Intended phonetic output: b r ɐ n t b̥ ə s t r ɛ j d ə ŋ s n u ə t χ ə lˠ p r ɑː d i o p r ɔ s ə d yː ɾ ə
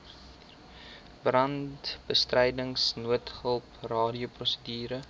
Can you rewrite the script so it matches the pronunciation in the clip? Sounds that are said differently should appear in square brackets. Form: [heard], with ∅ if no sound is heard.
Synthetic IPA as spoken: b r ɐ n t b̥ ə s t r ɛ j d ə ŋ s n u ə t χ ə lˠ p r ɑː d i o p r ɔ s ə d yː ɾ ə